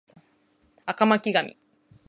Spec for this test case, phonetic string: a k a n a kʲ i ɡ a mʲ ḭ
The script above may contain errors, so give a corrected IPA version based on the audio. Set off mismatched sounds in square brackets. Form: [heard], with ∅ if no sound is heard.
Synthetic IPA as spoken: a k a [m] a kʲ i ɡ a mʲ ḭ